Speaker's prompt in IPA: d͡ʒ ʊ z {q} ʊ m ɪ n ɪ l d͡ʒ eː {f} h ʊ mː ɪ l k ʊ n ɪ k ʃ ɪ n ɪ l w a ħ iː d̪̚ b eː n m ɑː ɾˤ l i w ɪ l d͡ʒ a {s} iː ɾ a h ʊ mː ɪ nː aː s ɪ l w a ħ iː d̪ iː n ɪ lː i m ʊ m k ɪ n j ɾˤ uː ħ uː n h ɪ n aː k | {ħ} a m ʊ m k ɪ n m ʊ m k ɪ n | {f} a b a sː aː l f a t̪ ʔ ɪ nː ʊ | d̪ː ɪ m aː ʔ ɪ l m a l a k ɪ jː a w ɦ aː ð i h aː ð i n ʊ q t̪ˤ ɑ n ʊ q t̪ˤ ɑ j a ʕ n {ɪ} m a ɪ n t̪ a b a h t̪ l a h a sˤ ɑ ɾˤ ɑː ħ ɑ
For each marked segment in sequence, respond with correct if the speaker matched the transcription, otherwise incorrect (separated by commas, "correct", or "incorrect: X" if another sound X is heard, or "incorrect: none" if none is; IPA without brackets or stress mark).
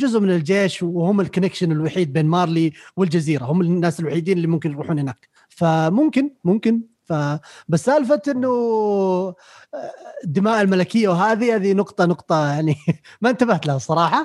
incorrect: ʔ, incorrect: ʃ, incorrect: z, incorrect: f, correct, incorrect: i